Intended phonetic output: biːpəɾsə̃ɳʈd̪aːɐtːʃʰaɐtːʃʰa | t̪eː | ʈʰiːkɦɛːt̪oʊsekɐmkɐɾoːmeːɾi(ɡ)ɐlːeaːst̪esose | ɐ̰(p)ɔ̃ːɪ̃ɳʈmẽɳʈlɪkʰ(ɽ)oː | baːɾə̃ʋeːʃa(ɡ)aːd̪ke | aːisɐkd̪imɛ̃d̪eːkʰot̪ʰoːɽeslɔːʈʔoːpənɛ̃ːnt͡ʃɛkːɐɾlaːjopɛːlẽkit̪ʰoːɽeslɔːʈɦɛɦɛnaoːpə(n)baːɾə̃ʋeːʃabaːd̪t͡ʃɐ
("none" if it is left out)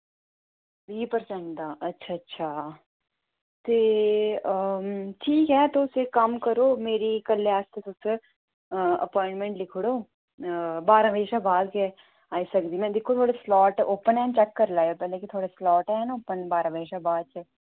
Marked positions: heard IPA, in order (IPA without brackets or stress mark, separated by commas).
k, p, ɽ, b, n